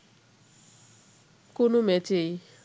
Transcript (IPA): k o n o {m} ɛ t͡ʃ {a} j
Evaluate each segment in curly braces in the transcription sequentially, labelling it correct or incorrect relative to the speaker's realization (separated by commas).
correct, incorrect